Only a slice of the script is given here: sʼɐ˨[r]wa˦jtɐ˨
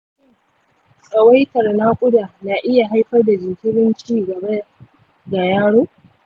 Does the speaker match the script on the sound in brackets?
no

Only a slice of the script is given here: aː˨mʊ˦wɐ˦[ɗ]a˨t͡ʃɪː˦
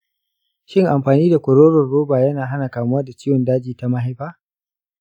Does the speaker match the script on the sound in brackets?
no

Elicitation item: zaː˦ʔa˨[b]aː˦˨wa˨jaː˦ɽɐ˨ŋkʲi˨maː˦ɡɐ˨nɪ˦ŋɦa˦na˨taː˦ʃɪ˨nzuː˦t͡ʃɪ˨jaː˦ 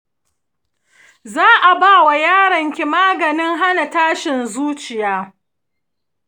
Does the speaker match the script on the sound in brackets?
yes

